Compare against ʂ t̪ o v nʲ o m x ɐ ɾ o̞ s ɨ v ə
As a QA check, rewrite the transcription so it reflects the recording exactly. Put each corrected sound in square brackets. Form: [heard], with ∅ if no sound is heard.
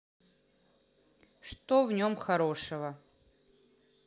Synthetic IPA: ʂ t̪ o v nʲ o m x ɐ ɾ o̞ [ʂ] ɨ v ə